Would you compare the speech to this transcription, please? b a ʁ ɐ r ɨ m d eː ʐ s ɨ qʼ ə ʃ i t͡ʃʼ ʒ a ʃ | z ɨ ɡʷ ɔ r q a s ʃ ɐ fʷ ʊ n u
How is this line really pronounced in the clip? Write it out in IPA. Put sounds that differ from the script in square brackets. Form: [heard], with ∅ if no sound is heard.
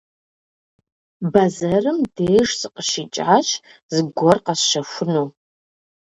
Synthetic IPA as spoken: b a [z] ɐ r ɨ m d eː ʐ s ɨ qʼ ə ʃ i t͡ʃʼ [ʕ] a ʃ | z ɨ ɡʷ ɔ r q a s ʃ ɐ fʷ ʊ n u